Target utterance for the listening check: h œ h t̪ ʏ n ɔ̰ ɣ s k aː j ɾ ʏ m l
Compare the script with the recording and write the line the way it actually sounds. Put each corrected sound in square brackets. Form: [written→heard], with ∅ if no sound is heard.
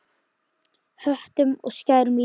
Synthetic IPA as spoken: h œ h t̪ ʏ [n→m] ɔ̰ ɣ s [k→c] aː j ɾ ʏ m l